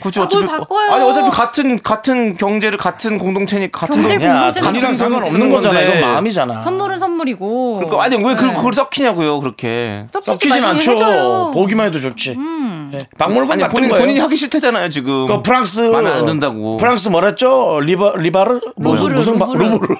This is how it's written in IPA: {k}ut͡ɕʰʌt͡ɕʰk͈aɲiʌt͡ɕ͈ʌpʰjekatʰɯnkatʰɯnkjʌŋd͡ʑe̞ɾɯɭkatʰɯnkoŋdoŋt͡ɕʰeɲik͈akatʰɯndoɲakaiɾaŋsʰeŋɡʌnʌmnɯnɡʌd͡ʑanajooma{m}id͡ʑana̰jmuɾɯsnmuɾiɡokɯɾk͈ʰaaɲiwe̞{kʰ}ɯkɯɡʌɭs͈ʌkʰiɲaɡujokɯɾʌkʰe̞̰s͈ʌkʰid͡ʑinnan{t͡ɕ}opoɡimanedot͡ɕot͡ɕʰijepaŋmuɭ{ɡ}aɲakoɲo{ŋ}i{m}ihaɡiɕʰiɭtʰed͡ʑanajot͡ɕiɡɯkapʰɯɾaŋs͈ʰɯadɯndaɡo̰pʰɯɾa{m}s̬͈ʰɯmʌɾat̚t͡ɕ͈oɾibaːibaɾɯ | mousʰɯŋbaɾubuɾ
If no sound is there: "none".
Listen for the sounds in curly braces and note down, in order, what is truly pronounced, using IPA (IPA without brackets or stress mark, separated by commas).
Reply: k, m, k, t͡ɕʰ, ɡ, ɲ, ɲ, ŋ